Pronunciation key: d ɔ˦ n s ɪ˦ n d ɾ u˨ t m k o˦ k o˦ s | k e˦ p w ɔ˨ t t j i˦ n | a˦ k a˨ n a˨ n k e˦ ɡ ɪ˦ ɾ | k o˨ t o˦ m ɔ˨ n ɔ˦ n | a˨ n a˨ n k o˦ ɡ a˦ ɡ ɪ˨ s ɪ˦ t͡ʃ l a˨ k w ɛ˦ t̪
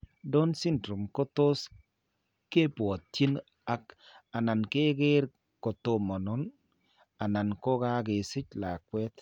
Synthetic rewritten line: d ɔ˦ n s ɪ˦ n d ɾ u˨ m k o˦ t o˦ s | k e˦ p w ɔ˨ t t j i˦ n | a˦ k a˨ n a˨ n k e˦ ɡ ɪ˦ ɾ | k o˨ t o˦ m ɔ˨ n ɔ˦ n | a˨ n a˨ n k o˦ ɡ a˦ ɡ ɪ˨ s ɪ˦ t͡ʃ l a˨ k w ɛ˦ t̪